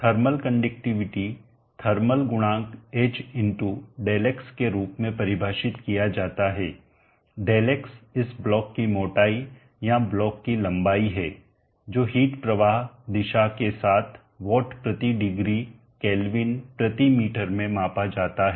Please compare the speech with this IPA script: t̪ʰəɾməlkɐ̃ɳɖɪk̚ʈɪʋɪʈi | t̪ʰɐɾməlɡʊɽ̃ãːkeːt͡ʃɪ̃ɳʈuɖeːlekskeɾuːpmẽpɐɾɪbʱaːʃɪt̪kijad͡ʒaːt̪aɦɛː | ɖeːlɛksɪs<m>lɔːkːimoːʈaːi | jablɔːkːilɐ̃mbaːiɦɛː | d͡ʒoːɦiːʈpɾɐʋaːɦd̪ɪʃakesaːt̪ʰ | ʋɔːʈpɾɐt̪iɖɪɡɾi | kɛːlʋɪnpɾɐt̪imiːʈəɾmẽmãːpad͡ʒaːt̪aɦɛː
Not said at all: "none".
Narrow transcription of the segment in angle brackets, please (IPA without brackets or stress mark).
b